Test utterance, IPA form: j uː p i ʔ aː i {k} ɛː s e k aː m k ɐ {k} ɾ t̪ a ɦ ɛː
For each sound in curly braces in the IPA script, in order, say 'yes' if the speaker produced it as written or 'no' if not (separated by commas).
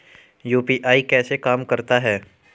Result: yes, no